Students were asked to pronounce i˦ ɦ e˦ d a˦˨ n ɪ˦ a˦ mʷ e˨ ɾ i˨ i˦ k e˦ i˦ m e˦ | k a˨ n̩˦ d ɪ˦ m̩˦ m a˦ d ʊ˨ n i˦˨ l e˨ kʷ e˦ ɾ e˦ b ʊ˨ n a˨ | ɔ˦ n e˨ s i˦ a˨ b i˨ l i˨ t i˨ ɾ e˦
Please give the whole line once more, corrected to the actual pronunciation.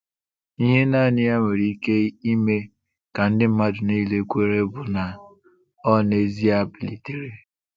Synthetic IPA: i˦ ɦ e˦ n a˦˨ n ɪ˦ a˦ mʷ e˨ ɾ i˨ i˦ k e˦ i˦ m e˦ | k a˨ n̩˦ d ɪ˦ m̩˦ m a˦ d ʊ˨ n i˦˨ l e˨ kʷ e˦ ɾ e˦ b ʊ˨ n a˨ | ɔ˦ n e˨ z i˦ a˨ b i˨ l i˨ t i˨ ɾ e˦